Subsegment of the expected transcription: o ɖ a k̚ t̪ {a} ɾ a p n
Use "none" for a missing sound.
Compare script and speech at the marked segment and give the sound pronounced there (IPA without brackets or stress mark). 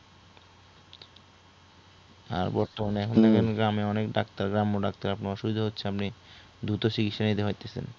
a